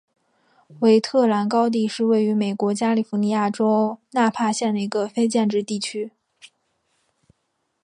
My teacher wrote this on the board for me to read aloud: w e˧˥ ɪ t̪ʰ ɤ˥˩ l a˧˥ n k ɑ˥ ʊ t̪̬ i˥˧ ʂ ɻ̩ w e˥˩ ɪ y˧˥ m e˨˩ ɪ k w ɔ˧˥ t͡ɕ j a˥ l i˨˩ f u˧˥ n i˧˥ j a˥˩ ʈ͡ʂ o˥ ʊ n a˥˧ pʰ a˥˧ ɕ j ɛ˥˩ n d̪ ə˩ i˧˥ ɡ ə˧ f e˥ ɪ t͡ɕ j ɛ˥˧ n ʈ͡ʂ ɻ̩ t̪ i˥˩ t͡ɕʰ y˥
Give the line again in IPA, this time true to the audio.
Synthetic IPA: w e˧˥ ɪ t̪ʰ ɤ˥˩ l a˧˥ n k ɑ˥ ʊ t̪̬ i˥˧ ʂ ɻ̩ w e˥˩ ɪ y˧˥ m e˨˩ ɪ k w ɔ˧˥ t͡ɕ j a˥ l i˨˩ f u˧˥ n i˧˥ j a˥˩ ʈ͡ʂ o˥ ʊ n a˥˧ pʰ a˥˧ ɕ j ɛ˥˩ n d̪ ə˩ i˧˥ ɡ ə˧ f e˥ ɪ t͡ɕ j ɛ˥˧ n ʈ͡ʂ ɻ̩ t̪ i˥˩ t͡ɕʰ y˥